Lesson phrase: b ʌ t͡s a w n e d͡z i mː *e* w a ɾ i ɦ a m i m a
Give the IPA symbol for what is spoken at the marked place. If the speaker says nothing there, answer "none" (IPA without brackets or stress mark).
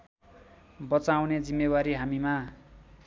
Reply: e